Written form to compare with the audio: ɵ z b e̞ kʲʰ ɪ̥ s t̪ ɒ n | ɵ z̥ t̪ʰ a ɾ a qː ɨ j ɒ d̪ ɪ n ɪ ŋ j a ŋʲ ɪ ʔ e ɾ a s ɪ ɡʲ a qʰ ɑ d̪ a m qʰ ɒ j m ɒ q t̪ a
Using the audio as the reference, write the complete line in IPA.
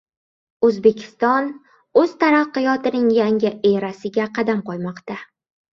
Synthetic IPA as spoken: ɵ z b e̞ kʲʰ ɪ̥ s t̪ ɒ n | ɵ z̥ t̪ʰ a ɾ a qː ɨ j ɒ t̪ ɪ n ɪ ŋ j a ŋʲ ɪ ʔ e ɾ a s ɪ ɡʲ a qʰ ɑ d̪ a m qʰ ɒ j m ɒ q t̪ a

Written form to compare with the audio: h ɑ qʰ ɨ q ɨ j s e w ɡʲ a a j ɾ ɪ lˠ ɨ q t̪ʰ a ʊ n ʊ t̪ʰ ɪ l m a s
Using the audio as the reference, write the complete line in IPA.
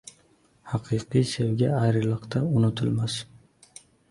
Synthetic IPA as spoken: h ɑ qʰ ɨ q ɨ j s e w ɡʲ a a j ɾ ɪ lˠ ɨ q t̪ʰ a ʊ n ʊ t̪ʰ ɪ l m a s

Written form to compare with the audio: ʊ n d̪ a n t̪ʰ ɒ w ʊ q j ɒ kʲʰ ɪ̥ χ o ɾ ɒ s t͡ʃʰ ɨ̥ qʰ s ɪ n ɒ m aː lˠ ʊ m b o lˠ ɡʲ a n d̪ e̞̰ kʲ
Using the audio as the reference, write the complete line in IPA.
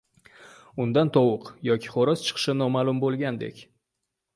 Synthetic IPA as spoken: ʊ n d̪ a n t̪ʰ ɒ w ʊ q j ɒ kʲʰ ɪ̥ χ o ɾ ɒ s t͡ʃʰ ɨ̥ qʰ ʃ ɪ n ɒ m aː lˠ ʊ m b o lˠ ɡʲ a n d̪ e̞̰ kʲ

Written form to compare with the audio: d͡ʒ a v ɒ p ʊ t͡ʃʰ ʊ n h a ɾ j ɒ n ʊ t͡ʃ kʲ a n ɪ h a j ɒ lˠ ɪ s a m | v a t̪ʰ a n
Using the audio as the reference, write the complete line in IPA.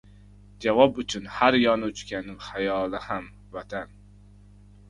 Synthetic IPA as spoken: d͡ʒ a v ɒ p ʊ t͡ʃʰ ʊ n h a ɾ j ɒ n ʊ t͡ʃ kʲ a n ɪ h a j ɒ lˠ ɪ h a m | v a t̪ʰ a n

